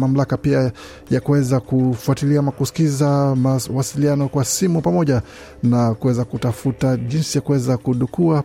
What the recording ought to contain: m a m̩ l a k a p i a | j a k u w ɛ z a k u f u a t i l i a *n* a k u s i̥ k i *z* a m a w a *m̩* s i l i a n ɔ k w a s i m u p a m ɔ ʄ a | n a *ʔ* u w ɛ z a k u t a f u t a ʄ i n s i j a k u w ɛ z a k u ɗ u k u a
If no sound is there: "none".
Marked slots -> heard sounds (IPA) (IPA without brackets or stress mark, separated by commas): m, z, none, k